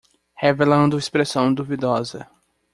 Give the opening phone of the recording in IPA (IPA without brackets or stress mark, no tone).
h